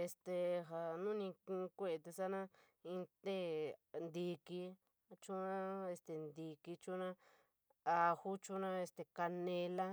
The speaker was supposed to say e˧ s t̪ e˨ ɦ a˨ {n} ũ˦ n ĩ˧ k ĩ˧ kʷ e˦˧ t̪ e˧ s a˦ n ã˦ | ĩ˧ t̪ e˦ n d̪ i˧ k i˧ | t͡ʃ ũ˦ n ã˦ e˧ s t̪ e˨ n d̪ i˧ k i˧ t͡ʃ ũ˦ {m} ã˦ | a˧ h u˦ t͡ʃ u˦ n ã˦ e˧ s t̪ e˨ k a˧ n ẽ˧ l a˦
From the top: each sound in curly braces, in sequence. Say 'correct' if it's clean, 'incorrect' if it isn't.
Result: correct, incorrect: n

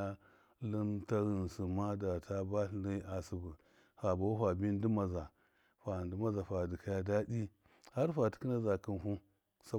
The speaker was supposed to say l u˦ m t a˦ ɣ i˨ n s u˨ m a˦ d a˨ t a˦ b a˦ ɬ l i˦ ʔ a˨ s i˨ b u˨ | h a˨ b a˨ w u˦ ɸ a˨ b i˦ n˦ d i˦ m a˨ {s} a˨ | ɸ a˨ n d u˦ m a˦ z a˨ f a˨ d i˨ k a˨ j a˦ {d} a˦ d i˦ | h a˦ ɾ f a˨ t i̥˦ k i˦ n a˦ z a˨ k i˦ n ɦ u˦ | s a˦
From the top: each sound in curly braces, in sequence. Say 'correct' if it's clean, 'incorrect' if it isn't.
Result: incorrect: z, correct

